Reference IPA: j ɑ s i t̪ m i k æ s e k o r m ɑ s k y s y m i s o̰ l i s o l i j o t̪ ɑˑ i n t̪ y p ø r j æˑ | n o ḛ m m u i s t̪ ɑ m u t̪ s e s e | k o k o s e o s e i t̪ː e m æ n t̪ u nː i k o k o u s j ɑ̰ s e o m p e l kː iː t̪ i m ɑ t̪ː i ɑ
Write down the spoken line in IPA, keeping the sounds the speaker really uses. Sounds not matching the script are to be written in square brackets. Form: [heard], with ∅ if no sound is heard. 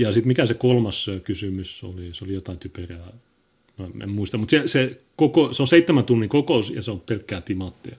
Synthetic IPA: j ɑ s i t̪ m i k æ s e k o [l] m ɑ s k y s y m [y] s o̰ l i s o l i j o t̪ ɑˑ i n t̪ y p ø r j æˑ | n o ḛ m m u i s t̪ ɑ m u t̪ s e s e | k o k o s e o s e i t̪ː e m æ n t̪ u nː i k o k o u s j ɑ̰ s e o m p e l kː [æː] t̪ i m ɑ t̪ː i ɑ